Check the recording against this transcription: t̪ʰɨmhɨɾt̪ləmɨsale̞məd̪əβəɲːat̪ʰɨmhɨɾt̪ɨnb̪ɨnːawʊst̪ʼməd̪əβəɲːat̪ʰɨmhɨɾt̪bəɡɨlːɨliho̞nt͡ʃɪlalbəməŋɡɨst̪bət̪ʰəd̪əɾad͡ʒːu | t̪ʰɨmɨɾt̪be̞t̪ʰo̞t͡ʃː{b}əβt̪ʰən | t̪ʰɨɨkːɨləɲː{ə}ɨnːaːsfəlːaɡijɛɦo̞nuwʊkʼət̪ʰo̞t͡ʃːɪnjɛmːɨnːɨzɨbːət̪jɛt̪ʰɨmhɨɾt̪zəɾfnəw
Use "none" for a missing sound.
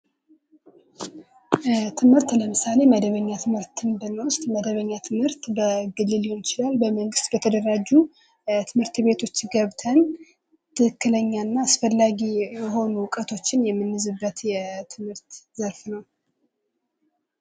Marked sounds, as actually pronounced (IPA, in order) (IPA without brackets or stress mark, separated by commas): ɡ, a